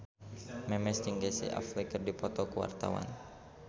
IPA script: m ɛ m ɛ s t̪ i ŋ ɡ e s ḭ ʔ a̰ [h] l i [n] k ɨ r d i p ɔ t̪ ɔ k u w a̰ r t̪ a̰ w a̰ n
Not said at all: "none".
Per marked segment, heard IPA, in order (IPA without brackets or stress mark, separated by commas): f, none